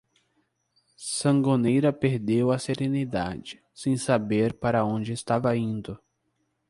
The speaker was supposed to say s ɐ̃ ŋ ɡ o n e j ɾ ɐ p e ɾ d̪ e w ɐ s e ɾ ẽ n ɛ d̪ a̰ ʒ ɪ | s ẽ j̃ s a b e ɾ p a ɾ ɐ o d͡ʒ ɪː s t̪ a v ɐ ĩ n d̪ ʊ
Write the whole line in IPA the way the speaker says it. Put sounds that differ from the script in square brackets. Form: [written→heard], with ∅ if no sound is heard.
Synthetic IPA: s ɐ̃ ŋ ɡ o n e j ɾ ɐ p e ɾ d̪ e w ɐ s e ɾ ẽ n [ɛ→i] d̪ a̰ [ʒ→d͡ʒ] ɪ | s ẽ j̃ s a b e ɾ p a ɾ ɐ [o→õ] d͡ʒ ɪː s t̪ a v ɐ ĩ n d̪ ʊ